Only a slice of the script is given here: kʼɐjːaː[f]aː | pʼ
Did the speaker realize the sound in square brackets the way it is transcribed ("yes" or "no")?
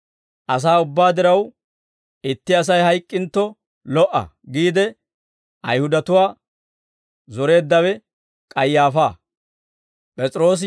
yes